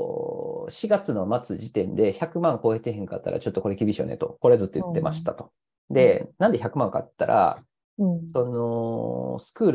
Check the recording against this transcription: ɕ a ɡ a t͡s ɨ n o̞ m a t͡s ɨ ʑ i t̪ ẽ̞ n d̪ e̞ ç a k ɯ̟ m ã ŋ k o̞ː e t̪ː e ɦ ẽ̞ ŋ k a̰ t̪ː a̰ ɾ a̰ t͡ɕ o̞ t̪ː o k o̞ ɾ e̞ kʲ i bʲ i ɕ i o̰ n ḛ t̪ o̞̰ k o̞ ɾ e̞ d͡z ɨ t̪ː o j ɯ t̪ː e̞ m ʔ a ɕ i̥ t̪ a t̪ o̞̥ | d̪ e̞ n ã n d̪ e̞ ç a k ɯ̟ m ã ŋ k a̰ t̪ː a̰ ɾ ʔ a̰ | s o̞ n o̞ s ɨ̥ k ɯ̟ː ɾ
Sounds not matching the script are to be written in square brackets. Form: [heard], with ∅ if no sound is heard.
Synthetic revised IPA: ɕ [i] ɡ a t͡s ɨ n o̞ m a t͡s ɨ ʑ i t̪ ẽ̞ n d̪ e̞ ç a k ɯ̟ m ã ŋ k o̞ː e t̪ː e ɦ ẽ̞ ŋ k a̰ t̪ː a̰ ɾ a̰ t͡ɕ o̞ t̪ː o k o̞ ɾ e̞ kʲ i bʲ i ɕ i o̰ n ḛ t̪ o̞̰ k o̞ ɾ e̞ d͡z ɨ t̪ː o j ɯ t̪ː e̞ m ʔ a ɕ i̥ t̪ a t̪ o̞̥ | d̪ e̞ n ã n d̪ e̞ ç a k ɯ̟ m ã ŋ k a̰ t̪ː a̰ ɾ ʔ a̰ | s o̞ n o̞ s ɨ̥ k ɯ̟ː ɾ